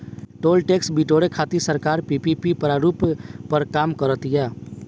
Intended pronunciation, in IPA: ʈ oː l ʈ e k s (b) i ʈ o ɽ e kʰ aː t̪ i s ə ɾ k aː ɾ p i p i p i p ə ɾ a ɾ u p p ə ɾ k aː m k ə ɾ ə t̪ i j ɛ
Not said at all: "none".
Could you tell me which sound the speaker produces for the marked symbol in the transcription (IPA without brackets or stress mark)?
b